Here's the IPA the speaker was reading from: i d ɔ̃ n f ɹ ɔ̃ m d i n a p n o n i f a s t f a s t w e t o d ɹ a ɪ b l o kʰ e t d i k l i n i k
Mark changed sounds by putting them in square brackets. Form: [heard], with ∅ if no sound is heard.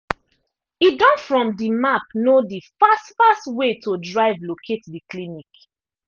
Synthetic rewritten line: i d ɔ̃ n f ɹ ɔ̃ m d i [m] a p n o [d] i f a s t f a s t w e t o d ɹ a ɪ [v] l o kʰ e t d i k l i n i k